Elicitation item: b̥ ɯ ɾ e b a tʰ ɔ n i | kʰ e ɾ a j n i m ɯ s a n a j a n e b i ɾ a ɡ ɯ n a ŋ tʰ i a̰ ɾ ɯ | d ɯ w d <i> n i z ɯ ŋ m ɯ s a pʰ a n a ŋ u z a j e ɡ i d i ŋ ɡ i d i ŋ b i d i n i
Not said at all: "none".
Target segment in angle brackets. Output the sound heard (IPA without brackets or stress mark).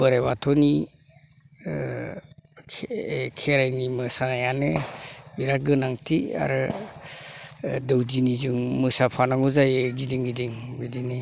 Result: i